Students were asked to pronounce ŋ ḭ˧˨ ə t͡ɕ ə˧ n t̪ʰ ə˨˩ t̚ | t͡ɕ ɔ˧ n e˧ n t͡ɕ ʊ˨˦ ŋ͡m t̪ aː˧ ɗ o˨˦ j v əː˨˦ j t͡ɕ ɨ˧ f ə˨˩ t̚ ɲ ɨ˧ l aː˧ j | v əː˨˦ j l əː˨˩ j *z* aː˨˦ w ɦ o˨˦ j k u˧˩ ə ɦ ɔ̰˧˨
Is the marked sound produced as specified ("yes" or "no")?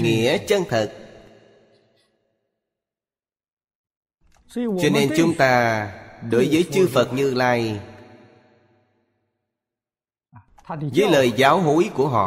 yes